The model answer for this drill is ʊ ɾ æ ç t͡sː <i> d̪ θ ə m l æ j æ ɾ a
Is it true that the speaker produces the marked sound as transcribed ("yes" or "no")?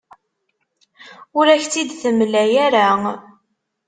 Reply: yes